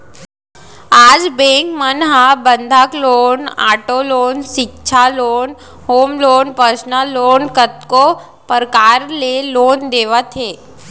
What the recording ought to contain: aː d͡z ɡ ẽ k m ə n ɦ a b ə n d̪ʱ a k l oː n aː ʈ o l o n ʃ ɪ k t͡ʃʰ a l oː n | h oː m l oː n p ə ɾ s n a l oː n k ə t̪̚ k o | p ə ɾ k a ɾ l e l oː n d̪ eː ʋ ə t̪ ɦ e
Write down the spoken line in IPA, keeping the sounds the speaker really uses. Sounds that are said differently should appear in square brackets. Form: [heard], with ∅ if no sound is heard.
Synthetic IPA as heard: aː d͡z [b] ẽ k m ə n ɦ a b ə n d̪ʱ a k l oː n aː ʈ o l o n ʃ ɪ k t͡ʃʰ a l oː n | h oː m l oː n p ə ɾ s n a l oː n k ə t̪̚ k o | p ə ɾ k a ɾ l e l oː n d̪ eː ʋ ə t̪ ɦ e